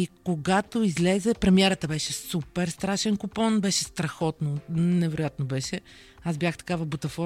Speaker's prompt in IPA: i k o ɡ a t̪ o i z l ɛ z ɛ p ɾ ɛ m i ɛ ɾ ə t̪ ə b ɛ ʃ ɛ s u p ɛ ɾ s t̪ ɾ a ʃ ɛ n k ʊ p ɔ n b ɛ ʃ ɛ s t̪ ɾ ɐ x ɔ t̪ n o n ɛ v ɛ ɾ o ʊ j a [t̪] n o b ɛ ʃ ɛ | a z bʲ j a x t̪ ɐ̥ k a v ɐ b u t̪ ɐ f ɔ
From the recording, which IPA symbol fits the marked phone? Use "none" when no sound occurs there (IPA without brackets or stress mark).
t̪